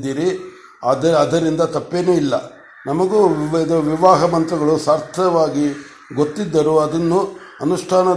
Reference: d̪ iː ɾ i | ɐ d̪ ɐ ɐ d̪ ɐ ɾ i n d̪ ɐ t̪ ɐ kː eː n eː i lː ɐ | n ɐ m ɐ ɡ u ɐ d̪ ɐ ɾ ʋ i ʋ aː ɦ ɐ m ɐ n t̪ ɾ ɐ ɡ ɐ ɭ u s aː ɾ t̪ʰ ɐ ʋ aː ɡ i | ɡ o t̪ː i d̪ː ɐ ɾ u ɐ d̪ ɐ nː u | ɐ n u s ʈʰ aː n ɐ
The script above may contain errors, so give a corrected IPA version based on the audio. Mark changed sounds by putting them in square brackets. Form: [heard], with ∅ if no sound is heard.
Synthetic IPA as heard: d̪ iː ɾ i | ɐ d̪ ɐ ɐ d̪ ɐ ɾ i n d̪ ɐ t̪ ɐ [pː] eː n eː i lː ɐ | n ɐ m ɐ ɡ u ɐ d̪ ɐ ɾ ʋ i ʋ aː ɦ ɐ m ɐ n t̪ ɾ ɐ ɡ ɐ ɭ u s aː ɾ t̪ʰ ɐ ʋ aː ɡ i | ɡ o t̪ː i d̪ː ɐ ɾ u ɐ d̪ ɐ nː u | ɐ n u [ʂ] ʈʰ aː n ɐ